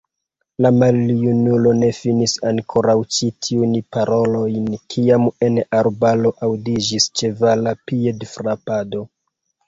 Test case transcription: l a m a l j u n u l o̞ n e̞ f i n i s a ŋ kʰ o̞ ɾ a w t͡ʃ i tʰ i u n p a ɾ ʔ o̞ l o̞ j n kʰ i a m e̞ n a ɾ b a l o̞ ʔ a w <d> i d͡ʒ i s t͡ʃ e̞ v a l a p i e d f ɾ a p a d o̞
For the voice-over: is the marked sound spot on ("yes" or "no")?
yes